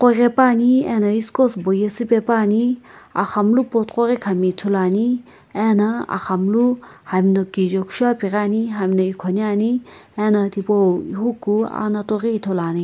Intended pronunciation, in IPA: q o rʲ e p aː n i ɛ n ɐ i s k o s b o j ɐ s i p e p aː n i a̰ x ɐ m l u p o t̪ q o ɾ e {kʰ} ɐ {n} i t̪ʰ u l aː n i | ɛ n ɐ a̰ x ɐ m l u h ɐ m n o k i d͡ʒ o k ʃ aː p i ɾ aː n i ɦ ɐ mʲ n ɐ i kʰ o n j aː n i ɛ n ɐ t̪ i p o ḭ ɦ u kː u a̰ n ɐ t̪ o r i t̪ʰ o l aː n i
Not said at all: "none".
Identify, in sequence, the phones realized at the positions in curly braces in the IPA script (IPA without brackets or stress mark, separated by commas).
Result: kʰ, m